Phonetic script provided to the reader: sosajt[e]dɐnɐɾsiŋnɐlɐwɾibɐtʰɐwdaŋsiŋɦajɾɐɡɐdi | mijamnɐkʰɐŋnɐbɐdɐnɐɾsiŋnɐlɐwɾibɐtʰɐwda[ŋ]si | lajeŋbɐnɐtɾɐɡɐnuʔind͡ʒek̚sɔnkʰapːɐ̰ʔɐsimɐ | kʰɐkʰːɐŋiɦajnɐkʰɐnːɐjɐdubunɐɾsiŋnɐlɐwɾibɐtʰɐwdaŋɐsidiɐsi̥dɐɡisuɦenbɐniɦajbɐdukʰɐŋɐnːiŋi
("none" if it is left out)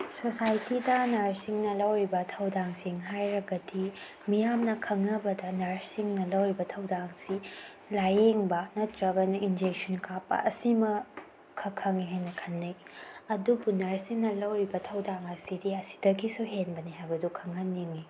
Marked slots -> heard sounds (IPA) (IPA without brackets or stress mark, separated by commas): i, ŋ